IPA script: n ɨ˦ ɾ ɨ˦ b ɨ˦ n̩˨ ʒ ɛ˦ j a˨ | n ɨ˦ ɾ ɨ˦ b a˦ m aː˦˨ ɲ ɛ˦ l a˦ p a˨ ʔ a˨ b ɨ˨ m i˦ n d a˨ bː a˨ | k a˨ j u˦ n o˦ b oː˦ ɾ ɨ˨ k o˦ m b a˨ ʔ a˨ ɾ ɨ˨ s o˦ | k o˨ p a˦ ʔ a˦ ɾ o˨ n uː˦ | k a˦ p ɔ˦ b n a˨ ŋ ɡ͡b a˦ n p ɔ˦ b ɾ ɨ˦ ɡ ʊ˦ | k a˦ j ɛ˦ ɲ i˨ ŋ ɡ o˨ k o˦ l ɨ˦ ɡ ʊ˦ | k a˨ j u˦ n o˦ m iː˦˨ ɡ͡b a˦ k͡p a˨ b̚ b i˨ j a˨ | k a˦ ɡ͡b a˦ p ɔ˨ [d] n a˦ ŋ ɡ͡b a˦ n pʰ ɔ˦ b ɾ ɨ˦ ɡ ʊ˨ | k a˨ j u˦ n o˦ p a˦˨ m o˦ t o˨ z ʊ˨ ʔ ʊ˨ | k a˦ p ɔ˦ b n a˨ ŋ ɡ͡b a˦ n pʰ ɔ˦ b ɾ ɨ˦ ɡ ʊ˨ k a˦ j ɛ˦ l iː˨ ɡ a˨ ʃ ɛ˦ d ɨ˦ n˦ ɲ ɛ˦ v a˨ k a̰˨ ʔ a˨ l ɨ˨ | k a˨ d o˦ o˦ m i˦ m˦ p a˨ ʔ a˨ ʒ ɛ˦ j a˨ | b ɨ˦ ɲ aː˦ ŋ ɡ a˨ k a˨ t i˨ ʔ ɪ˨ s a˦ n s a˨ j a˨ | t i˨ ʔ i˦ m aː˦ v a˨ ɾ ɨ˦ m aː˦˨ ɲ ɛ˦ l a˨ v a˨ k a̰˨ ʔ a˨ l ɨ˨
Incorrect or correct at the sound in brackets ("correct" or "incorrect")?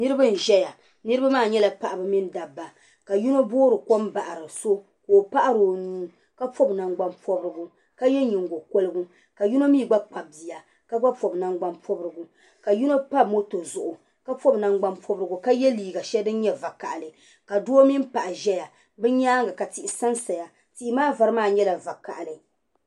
incorrect